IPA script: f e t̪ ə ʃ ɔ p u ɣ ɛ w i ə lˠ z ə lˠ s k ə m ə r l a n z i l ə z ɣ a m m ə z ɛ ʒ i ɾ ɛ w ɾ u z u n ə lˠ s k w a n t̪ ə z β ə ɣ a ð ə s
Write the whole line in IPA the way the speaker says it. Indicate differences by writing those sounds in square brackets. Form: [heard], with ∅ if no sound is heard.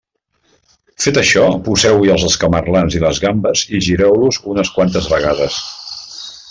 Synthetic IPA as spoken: f e t̪ ə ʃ ɔ p u [z] ɛ w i ə lˠ z ə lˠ s k ə m ə r l a n z i l ə z ɣ a m [b] ə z [i] ʒ i ɾ ɛ w [l] u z u n ə [∅] s k w a n t̪ ə z β ə ɣ a ð ə s